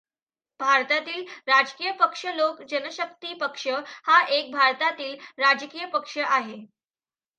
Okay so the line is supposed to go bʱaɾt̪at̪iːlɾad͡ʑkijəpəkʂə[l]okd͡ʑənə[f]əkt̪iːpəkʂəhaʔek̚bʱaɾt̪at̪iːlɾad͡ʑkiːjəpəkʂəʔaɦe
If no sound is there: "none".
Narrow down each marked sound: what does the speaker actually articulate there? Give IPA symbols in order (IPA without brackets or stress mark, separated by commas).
l, ɕ